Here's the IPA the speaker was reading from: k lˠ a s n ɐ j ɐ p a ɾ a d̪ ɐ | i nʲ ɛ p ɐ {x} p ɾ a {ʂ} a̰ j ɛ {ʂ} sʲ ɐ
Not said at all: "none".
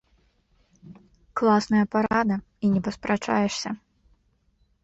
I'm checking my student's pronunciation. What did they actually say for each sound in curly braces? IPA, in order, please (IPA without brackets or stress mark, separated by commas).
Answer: s, t͡ʂ, ʂ